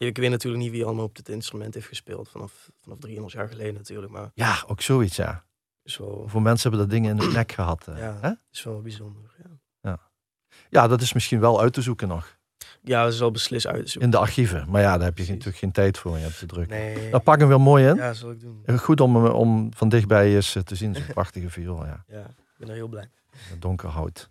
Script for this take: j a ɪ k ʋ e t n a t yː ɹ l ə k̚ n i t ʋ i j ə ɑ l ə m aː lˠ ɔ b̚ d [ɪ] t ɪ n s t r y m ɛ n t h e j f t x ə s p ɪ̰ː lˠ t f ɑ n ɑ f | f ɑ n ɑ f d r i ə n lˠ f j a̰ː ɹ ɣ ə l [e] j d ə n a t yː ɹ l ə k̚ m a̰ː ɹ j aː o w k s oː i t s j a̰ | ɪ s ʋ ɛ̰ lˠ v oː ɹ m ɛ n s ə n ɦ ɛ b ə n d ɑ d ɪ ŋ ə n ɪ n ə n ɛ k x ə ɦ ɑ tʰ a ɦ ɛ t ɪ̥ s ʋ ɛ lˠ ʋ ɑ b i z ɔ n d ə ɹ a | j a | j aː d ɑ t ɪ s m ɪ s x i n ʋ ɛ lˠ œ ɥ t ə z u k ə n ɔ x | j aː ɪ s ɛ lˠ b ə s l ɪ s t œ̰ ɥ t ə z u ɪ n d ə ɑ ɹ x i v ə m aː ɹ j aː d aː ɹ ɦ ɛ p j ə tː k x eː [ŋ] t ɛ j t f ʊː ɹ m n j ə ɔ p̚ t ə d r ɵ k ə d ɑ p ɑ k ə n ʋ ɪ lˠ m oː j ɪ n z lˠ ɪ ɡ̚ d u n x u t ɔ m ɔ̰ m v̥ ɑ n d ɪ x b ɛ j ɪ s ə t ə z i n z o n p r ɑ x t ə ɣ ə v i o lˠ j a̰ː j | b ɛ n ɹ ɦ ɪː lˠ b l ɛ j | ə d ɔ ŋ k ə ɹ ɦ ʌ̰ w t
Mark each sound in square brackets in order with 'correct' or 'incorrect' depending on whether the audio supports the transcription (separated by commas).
correct, correct, incorrect